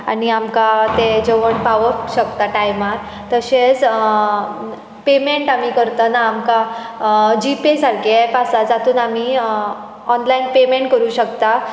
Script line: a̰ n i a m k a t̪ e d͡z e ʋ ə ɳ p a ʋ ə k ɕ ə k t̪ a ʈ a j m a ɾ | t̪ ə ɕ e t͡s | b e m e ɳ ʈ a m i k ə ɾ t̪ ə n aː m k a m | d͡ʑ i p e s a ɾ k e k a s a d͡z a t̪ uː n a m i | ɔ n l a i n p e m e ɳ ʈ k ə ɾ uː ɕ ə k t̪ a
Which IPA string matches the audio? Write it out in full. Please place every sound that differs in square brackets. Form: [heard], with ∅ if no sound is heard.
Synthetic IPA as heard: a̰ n i a m k a t̪ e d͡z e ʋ ə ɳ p a ʋ ə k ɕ ə k t̪ a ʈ a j m a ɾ | t̪ ə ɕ e t͡s | [p] e m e ɳ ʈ a m i k ə ɾ t̪ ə n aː m k a [∅] | d͡ʑ i p e s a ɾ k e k a s a d͡z a t̪ uː n a m i | ɔ n l a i n p e m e ɳ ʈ k ə ɾ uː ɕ ə k t̪ a